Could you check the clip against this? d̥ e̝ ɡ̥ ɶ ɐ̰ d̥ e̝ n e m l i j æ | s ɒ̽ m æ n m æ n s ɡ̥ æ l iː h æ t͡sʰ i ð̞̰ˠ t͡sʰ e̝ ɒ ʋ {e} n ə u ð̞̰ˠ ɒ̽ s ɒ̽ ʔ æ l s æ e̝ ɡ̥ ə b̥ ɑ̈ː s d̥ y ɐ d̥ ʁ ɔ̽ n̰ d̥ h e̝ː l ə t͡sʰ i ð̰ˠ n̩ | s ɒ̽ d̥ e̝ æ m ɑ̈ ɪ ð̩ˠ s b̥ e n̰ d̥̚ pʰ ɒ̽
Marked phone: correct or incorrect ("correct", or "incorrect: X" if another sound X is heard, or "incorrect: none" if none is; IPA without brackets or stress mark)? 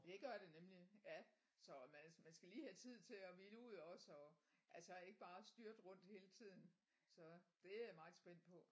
incorrect: i